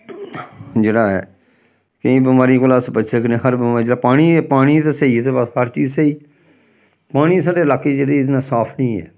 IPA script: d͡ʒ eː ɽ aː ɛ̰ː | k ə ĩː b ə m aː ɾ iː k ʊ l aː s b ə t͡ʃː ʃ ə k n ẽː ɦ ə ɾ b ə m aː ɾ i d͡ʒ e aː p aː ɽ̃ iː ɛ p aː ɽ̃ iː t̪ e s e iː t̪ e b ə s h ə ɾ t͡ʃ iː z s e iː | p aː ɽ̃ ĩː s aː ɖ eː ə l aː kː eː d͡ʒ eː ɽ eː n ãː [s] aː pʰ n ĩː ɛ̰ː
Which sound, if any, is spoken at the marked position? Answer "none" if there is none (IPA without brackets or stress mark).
s